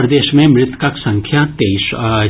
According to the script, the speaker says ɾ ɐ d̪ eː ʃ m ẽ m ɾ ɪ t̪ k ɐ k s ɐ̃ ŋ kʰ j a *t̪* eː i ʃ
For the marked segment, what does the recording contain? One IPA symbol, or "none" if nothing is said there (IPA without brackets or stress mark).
t̪